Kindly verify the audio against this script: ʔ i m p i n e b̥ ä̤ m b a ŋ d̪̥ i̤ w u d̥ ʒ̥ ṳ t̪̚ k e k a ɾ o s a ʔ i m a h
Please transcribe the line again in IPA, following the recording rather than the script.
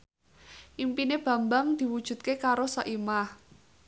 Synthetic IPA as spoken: ʔ i m p i n e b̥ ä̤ m b a ŋ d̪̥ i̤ w u d̥ ʒ̥ ṳ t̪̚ k e k a ɾ o s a ʔ i m a h